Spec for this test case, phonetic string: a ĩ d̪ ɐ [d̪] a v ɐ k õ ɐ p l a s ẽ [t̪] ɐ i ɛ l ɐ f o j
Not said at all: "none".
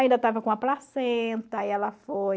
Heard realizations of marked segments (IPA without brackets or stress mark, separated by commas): t̪, t̪